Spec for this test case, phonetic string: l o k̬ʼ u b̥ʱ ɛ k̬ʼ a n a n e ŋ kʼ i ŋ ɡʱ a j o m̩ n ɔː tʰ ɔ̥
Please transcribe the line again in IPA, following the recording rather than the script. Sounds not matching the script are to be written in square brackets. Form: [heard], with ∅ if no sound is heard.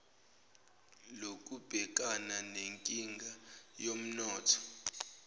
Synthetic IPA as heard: l o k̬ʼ u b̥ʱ ɛ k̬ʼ a n a n e ŋ kʼ i ŋ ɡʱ a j o m̩ n ɔː tʰ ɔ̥